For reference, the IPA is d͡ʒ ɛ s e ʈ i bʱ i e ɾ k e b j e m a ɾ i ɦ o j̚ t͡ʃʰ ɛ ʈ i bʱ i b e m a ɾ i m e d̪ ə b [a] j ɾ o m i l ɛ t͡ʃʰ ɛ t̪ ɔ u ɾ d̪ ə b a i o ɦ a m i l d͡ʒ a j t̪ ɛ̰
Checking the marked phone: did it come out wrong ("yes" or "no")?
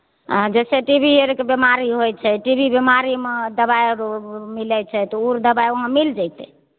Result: no